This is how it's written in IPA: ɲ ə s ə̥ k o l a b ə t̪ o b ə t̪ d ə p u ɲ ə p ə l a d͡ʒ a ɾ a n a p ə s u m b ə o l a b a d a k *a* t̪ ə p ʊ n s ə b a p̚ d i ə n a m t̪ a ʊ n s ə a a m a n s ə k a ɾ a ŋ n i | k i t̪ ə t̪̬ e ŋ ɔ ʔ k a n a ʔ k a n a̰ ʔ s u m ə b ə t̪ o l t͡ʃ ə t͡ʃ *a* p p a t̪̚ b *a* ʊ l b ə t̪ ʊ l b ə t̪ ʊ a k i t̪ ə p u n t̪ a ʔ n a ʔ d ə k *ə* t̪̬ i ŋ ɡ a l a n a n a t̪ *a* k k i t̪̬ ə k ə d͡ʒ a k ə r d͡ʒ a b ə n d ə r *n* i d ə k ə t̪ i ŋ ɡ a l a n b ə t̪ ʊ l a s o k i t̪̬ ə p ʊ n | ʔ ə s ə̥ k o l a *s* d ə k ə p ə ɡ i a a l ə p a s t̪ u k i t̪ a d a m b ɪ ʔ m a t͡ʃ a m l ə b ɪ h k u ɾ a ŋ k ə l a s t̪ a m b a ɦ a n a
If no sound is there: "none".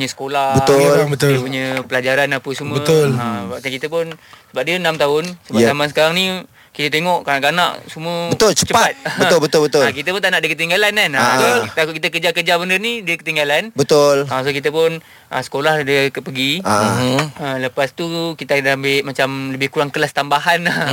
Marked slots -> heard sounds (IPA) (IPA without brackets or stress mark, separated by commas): i, ə, ə, ə, a, n, h